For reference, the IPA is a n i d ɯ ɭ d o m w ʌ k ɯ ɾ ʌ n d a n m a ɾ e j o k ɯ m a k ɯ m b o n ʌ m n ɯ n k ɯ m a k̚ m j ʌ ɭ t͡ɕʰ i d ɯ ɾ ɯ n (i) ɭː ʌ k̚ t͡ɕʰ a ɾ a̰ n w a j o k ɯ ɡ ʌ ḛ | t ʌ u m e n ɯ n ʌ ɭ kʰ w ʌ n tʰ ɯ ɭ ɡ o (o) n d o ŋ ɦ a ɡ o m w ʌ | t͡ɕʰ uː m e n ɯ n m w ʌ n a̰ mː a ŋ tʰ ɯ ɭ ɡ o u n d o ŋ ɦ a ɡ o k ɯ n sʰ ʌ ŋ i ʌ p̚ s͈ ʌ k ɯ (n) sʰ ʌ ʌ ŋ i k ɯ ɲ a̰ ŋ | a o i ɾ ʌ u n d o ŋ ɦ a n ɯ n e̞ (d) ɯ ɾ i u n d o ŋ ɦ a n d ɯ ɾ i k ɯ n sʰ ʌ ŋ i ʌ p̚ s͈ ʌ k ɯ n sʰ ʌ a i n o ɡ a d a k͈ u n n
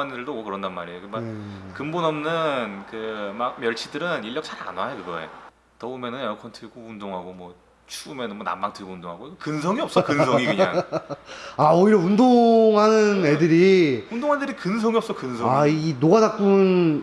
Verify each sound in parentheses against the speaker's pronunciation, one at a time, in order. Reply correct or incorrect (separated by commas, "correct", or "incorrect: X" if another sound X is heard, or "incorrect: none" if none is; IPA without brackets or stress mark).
correct, incorrect: u, correct, correct